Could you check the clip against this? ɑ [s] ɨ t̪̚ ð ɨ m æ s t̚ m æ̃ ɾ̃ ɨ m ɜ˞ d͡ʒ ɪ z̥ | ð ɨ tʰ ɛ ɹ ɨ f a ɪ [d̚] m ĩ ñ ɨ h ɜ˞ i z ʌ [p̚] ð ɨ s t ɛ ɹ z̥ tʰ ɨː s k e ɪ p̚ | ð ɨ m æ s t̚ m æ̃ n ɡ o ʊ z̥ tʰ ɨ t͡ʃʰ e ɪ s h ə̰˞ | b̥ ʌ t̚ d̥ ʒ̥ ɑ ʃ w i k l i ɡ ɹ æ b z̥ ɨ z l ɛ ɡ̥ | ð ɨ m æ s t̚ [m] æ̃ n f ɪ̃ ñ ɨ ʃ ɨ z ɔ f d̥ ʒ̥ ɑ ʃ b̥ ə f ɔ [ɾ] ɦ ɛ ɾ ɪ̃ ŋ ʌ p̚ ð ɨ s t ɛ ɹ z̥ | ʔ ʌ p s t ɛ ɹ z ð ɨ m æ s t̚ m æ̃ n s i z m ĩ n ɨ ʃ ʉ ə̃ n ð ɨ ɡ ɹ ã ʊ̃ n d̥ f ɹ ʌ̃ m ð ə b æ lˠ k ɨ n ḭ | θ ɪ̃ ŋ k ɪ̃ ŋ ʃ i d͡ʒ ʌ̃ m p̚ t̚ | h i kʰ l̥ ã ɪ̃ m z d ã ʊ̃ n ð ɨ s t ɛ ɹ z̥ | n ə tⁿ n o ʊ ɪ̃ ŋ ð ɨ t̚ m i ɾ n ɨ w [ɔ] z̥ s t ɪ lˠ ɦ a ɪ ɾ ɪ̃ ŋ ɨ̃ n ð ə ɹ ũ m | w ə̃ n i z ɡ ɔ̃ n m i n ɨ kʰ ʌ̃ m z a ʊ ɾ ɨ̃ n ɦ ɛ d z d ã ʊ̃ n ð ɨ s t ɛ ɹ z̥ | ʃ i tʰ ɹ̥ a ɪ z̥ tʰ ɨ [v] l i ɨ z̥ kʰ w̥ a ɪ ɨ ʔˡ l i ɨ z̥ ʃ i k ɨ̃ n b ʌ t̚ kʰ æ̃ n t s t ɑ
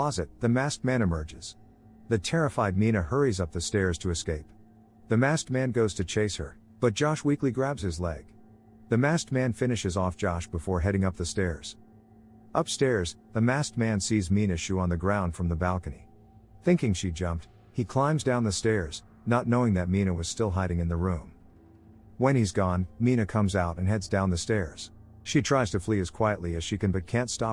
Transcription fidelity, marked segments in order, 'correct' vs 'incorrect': incorrect: z, correct, correct, correct, incorrect: ɹ, incorrect: ʌ, incorrect: f

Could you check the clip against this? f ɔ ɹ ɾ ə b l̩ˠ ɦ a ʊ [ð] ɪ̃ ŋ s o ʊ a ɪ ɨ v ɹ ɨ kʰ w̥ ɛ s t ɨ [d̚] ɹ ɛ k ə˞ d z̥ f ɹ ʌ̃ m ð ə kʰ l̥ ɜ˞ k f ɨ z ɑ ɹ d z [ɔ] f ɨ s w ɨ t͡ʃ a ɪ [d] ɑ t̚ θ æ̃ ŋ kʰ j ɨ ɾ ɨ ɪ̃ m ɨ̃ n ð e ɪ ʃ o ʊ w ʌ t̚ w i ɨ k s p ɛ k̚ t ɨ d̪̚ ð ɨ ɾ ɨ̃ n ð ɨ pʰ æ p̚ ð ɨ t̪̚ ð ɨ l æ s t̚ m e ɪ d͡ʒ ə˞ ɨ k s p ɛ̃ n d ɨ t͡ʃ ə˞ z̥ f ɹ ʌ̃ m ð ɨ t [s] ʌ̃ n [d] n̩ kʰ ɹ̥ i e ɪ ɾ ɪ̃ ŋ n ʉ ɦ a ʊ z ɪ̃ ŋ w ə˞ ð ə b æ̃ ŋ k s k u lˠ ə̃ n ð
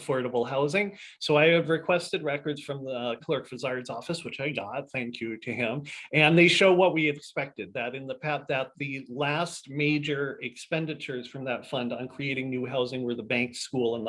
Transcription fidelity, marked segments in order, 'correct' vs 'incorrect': incorrect: z, correct, correct, incorrect: ɡ, incorrect: f, correct

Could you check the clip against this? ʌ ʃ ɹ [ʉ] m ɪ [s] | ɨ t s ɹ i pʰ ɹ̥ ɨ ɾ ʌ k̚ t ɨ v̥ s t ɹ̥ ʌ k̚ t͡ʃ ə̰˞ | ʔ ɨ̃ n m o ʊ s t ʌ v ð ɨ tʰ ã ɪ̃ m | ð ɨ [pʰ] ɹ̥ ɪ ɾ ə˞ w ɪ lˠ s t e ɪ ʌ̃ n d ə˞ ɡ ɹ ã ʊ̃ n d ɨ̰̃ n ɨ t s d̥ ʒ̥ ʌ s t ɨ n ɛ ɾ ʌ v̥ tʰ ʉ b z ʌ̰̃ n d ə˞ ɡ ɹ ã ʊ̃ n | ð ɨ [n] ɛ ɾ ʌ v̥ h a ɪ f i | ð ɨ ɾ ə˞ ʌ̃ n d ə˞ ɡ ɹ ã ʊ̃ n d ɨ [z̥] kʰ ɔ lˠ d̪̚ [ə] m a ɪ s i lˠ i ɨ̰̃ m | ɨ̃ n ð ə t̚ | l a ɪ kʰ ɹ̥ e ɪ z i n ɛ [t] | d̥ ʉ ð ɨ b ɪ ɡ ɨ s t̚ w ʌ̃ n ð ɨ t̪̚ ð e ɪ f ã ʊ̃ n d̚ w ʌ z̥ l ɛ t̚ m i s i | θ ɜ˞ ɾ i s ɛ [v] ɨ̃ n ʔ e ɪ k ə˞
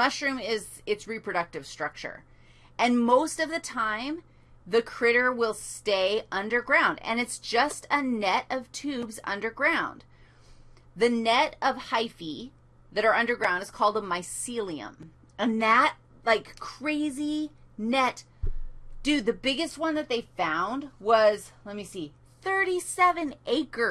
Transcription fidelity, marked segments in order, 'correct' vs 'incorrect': incorrect: ʉ̃, incorrect: z, incorrect: kʰ, correct, correct, correct, correct, correct

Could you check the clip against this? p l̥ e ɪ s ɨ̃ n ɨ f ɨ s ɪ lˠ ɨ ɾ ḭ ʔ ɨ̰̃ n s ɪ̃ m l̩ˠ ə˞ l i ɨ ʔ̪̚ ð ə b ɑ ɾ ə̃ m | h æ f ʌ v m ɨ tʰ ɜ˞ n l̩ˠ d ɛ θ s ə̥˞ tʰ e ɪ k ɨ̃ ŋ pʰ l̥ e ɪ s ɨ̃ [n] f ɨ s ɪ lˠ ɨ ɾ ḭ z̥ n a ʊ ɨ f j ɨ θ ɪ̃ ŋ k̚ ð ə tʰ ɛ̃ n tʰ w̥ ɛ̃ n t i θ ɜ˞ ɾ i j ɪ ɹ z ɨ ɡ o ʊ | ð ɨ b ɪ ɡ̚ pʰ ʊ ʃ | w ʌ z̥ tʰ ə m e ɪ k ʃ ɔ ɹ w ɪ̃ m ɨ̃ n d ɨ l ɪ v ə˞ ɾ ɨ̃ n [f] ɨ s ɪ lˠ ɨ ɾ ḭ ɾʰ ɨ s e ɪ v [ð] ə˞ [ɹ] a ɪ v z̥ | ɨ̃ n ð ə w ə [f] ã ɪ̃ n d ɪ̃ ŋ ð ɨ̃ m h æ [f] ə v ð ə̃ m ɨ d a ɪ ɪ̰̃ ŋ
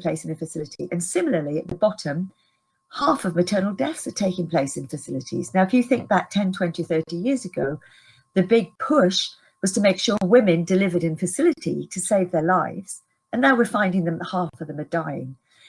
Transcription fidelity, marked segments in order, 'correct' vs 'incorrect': correct, correct, correct, incorrect: l, correct, correct

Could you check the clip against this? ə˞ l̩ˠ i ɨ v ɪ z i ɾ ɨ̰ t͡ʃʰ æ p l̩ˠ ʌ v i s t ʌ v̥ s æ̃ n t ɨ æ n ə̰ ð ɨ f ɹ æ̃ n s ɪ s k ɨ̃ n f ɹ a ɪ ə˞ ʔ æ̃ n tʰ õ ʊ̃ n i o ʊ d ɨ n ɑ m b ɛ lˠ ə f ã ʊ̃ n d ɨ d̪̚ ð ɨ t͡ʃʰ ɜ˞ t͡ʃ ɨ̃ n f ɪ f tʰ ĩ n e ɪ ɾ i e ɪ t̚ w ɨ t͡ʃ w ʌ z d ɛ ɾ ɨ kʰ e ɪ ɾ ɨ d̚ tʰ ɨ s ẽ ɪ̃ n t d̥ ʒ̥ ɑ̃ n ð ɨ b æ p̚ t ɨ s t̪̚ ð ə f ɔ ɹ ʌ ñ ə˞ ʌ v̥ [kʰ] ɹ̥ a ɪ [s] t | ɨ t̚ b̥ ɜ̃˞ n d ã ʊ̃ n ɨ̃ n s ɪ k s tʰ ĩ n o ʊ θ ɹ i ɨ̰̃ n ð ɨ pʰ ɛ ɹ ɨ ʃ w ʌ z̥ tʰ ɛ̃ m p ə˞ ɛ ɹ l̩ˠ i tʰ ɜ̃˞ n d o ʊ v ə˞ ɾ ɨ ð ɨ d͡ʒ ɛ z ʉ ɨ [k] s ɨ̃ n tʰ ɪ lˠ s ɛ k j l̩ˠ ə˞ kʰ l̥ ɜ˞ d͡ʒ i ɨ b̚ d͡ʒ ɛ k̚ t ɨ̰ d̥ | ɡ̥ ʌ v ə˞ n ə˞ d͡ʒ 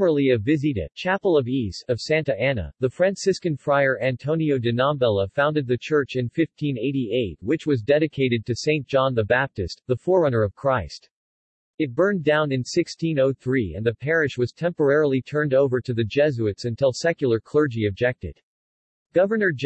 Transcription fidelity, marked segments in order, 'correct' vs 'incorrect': correct, correct, incorrect: t

